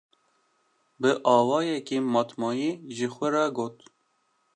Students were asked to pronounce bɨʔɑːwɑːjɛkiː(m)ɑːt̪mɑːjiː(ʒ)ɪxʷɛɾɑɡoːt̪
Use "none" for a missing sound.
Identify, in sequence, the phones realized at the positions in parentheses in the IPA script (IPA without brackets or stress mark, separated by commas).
m, ʒ